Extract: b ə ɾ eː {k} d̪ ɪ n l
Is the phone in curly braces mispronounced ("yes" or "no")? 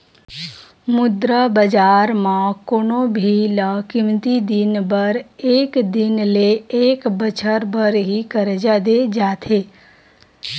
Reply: no